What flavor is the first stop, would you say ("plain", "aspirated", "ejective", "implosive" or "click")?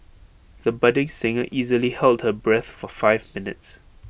plain